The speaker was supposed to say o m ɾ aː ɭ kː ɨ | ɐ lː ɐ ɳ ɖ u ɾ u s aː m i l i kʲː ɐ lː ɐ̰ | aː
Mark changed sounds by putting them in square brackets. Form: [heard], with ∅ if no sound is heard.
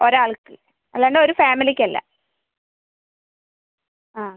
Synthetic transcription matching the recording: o [∅] ɾ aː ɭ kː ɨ | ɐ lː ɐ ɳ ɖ [o] ɾ u [f] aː m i l i kʲː ɐ lː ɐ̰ | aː